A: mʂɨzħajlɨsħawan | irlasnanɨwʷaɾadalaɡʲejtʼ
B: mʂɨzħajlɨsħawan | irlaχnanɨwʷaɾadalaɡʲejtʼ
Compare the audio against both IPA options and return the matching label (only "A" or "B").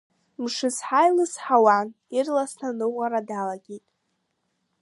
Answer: A